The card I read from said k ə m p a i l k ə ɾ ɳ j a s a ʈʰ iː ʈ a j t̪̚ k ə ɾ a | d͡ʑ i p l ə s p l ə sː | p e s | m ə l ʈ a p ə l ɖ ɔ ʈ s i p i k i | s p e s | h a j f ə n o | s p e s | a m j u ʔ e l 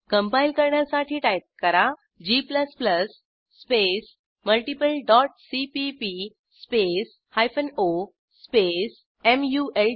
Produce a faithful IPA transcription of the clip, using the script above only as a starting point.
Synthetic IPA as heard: k ə m p a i l k ə ɾ ɳ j a s a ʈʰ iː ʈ a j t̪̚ k ə ɾ a | d͡ʑ i p l ə s p l ə sː | p e s | m ə l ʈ i p ə l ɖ ɔ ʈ s i p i p i | s p e s | h a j f ə n o | s p e s | e m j u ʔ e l